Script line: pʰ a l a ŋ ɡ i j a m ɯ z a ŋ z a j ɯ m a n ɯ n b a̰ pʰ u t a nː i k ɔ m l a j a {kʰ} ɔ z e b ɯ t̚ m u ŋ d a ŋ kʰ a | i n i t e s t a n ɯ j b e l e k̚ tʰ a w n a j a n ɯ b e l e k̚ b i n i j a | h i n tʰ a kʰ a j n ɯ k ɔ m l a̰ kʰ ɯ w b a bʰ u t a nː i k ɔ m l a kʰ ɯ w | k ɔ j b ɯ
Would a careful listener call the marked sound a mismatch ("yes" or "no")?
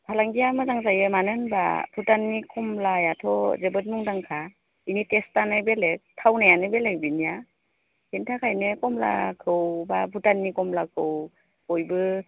yes